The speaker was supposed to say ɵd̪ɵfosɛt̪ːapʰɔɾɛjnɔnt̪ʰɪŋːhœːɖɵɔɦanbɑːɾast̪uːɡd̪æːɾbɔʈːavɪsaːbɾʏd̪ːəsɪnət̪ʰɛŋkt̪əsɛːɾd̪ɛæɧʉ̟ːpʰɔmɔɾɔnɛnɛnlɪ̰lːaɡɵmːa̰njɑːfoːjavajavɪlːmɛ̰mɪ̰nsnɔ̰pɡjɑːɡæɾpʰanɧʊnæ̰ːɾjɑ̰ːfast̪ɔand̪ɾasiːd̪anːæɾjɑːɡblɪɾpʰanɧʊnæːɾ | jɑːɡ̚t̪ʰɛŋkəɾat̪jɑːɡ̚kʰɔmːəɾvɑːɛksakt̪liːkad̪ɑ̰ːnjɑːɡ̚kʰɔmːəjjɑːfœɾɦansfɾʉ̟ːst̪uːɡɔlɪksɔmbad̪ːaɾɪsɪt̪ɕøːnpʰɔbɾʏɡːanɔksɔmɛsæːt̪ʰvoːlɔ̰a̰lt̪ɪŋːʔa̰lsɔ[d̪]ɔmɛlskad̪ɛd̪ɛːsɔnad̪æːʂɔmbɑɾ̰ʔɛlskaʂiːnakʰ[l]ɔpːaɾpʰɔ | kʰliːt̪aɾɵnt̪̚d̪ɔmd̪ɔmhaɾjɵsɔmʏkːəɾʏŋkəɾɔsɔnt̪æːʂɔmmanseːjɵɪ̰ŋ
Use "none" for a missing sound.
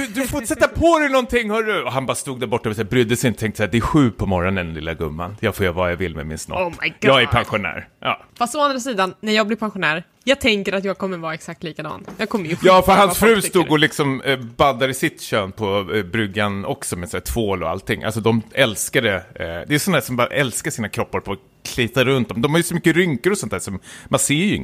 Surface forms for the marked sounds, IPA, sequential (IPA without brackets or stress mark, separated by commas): d̪, ɾ